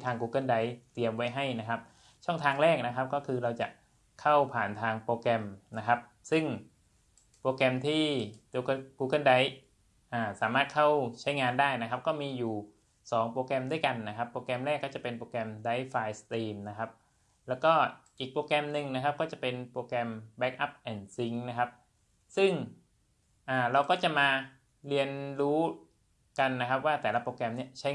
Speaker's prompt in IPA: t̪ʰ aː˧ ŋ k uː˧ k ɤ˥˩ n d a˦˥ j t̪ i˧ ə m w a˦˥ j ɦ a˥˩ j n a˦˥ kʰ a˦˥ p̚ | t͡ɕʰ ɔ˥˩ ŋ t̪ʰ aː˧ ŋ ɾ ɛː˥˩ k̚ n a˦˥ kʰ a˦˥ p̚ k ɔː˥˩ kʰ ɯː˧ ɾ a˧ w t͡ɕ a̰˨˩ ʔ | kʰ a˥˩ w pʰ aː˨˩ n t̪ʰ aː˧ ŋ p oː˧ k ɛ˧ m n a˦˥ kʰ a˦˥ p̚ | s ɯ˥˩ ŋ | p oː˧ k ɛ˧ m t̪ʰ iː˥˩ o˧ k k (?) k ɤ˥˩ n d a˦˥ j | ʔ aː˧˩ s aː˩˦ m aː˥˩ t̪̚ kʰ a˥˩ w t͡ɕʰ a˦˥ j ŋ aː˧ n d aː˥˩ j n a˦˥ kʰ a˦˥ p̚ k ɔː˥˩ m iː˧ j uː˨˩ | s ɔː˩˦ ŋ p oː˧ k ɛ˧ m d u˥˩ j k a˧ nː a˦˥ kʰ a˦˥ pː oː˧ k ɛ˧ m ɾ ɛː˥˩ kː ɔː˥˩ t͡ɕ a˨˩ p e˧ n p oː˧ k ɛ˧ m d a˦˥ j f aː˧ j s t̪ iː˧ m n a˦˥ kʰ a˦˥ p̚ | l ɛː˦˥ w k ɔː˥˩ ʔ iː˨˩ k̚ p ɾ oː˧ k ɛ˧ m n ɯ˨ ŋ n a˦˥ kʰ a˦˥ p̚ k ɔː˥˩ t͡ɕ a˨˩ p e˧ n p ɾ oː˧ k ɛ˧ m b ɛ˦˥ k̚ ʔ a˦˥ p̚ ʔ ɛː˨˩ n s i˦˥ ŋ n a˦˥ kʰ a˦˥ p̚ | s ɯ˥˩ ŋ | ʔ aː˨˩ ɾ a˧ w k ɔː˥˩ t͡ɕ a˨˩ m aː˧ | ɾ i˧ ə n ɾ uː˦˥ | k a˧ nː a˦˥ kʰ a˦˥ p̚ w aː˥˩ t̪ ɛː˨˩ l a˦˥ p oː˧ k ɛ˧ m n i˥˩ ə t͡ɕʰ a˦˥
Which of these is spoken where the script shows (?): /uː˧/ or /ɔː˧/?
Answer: uː˧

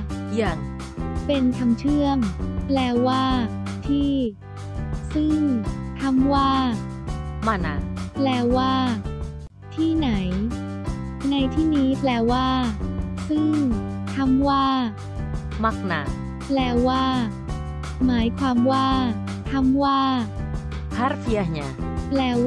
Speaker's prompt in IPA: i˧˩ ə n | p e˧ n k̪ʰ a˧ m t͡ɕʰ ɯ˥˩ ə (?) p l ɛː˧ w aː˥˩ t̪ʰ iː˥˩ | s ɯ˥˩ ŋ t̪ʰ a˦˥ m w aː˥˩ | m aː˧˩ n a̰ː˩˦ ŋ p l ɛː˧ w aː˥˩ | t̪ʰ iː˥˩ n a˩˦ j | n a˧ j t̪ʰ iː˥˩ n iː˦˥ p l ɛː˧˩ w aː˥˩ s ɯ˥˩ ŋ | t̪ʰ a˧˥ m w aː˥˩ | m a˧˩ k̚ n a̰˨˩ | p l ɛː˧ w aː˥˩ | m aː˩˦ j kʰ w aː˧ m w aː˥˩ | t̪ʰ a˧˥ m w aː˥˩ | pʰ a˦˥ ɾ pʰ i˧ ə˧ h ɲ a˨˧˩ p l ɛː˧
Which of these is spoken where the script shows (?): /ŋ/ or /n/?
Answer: ŋ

